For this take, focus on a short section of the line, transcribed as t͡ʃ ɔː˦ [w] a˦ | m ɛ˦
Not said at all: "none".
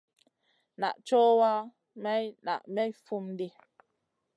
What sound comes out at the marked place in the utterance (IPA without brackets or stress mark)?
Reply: w